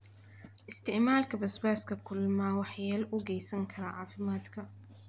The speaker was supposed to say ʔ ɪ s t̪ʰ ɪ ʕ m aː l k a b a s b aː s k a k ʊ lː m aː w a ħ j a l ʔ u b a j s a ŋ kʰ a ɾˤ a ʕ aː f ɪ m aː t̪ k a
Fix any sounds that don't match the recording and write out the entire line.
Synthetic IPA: ʔ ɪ s t̪ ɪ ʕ m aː l k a b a s b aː s k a k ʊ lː m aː w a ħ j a l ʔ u ɡ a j s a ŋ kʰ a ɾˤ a ʕ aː f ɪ m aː t̪ k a